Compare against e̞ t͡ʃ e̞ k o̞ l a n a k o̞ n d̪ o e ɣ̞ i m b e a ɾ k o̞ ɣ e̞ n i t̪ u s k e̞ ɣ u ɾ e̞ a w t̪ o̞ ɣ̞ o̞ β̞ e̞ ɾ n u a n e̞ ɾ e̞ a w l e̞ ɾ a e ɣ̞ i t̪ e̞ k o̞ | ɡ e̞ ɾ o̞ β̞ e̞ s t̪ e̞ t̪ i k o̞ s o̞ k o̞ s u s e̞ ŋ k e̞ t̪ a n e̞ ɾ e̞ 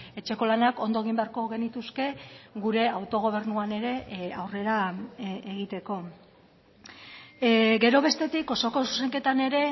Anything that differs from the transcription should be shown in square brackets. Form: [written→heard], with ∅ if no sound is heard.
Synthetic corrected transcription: e̞ t͡ʃ e̞ k o̞ l a n a k o̞ n d̪ o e ɣ̞ i m b e a ɾ k o̞ ɣ e̞ n i t̪ u s k e̞ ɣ u ɾ e̞ a w t̪ o̞ ɣ̞ o̞ β̞ e̞ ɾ n u a n e̞ ɾ e̞ a w [l→r] e̞ ɾ a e ɣ̞ i t̪ e̞ k o̞ | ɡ e̞ ɾ o̞ β̞ e̞ s t̪ e̞ t̪ i k o̞ s o̞ k o̞ s u s e̞ ŋ k e̞ t̪ a n e̞ ɾ e̞